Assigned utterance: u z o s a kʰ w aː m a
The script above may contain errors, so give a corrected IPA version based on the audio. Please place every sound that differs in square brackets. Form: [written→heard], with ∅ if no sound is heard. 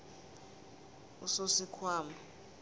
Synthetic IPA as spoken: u [z→s] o s [a→i] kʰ w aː m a

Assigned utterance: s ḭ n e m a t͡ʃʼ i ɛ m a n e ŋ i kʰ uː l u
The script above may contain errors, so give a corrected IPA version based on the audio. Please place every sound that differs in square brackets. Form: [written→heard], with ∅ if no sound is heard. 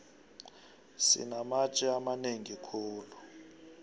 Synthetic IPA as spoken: s ḭ n [e→a] m a t͡ʃʼ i [ɛ→a] m a n e ŋ i kʰ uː l u

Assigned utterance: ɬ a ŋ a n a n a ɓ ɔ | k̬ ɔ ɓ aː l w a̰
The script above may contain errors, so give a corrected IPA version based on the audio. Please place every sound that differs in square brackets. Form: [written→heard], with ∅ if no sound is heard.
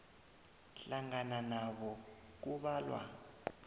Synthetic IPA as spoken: ɬ a ŋ a n a n a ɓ ɔ | k̬ [ɔ→u] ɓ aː l w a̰

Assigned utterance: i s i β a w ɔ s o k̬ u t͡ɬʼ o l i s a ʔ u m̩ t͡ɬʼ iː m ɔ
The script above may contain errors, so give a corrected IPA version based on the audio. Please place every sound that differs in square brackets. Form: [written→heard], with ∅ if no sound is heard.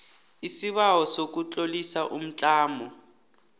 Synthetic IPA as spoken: i s i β a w ɔ s o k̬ u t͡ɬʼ o l i s a ʔ u m̩ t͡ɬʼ [iː→aː] m ɔ

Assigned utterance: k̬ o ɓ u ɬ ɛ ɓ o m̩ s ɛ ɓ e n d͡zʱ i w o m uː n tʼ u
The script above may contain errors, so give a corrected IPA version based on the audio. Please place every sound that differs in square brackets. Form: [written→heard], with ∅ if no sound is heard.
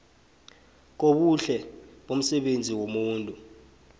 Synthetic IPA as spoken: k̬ o ɓ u ɬ ɛ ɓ o m̩ s ɛ ɓ e n d͡zʱ i w o m uː n tʼ u

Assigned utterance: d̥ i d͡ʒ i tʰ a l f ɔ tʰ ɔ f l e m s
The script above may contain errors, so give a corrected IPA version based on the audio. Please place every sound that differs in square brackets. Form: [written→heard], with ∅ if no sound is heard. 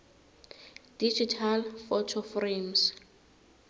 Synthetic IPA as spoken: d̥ i d͡ʒ i tʰ a l f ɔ tʰ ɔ f [l→r] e m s

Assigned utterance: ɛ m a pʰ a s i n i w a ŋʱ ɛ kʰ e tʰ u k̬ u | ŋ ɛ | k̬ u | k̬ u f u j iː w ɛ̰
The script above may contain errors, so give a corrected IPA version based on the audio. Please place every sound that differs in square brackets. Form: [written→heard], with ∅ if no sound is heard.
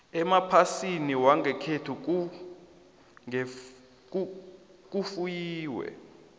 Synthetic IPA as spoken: ɛ m a pʰ a s i n i w a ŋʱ ɛ kʰ e tʰ u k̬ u | ŋ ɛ | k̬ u | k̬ u f u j iː w ɛ̰

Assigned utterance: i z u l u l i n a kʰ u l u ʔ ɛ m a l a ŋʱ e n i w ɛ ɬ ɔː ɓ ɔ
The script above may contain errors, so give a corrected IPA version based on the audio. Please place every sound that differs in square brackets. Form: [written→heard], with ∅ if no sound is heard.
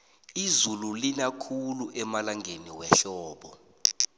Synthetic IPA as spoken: i z u l u l i n a kʰ u l u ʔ ɛ m a l a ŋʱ e n i w ɛ ɬ ɔː ɓ ɔ

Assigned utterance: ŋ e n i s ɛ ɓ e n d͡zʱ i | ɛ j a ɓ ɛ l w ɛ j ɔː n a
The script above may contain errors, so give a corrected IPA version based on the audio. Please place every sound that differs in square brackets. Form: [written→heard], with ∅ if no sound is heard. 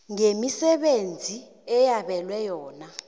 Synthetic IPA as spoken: ŋ e [n→m] i s ɛ ɓ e n d͡zʱ i | ɛ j a ɓ ɛ l w ɛ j ɔː n a

